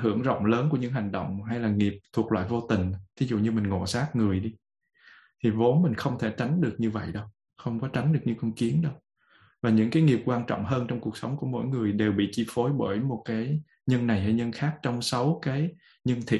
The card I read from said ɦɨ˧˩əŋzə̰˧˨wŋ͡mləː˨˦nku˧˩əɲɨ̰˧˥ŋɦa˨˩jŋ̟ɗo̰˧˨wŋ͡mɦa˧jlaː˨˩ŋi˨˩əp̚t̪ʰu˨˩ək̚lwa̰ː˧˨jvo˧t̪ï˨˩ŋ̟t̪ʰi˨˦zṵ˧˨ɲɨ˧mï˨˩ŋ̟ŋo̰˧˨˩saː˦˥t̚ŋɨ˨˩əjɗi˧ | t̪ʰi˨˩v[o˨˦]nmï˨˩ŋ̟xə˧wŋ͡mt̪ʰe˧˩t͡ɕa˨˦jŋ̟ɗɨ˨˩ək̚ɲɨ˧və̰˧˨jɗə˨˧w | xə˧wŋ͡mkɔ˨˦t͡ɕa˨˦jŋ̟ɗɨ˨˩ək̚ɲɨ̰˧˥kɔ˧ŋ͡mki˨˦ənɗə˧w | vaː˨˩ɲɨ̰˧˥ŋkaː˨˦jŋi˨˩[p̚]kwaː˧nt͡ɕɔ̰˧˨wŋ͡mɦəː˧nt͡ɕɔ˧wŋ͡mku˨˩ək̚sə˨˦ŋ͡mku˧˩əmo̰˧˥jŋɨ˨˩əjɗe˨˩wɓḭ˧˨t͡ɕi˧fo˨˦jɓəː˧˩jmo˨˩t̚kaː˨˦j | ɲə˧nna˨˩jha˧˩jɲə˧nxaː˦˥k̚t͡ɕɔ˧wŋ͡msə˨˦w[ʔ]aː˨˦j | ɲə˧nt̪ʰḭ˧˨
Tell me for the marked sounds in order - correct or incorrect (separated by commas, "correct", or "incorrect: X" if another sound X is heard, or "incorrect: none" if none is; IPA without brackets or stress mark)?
correct, correct, incorrect: k